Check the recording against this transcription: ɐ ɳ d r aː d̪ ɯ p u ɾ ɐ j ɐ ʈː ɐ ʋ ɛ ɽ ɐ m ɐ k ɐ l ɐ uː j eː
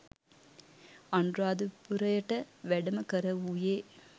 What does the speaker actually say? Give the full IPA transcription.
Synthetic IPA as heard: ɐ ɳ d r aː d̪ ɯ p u ɾ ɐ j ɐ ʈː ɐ ʋ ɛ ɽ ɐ m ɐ k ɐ ɾ ɐ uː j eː